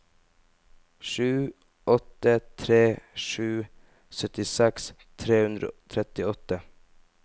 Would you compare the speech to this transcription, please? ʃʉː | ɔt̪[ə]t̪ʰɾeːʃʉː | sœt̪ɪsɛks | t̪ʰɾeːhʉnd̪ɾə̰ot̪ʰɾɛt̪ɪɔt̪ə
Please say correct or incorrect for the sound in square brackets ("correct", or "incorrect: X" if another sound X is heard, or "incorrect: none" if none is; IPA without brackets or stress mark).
correct